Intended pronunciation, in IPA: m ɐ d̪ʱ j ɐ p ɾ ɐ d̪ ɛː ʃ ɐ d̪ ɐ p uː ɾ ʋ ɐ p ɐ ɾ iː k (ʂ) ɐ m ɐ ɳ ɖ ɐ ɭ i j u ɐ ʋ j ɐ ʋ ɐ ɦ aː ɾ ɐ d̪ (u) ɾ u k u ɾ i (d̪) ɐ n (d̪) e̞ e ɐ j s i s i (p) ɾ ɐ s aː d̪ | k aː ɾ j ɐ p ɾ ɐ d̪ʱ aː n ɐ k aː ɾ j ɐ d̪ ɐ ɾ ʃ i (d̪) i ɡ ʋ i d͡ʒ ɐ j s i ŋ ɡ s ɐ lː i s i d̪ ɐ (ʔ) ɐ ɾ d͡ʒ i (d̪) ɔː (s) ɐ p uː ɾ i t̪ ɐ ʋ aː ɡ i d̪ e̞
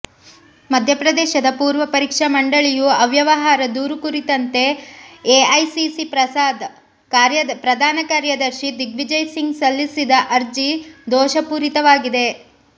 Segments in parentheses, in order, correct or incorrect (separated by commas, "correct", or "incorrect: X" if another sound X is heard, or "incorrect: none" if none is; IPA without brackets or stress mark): correct, incorrect: uː, incorrect: t̪, incorrect: t̪, correct, correct, correct, correct, incorrect: ʃ